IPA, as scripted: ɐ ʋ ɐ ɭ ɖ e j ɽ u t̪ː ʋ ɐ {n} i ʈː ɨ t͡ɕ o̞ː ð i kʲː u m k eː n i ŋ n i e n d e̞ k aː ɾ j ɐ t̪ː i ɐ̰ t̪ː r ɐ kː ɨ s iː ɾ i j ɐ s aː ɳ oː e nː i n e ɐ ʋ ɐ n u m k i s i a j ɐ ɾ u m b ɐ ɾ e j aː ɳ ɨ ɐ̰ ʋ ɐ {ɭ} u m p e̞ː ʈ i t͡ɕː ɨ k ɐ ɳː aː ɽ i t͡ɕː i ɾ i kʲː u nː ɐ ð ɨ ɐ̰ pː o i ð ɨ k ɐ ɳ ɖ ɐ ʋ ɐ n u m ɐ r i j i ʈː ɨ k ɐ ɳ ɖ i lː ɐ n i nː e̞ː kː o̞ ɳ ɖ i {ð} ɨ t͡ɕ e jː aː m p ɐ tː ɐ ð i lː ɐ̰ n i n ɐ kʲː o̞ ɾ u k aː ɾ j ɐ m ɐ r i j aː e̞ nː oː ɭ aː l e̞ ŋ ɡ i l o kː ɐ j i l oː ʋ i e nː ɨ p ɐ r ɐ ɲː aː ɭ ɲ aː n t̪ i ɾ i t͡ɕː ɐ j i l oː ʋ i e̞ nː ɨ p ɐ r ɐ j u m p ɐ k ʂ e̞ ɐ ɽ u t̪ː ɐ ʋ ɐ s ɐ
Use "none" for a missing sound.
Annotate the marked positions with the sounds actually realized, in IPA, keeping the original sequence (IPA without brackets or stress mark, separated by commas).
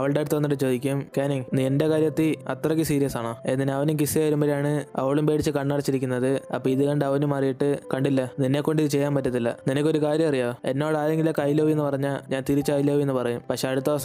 nː, ɭ, ð